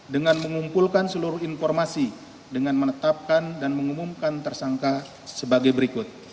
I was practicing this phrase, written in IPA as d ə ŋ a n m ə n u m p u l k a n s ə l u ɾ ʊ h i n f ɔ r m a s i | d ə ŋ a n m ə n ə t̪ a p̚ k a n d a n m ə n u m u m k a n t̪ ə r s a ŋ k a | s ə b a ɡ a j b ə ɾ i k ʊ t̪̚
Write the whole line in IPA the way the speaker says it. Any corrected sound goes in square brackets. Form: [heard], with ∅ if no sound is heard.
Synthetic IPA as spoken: d ə ŋ a n m ə [ŋ] u m p u l k a n s ə l u ɾ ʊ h i n f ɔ r m a s i | d ə ŋ a n m ə n ə t̪ a p̚ k a n d a n m ə [ŋ] u m u m k a n t̪ ə r s a ŋ k a | s ə b a ɡ a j b ə ɾ i k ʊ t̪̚